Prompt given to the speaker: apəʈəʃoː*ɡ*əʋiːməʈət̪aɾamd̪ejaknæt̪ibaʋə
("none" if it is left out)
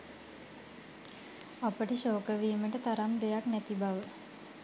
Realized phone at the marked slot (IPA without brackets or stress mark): k